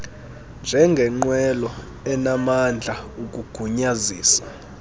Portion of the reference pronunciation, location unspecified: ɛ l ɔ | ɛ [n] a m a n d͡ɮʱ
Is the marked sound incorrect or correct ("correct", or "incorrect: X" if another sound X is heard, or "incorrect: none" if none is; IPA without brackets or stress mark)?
correct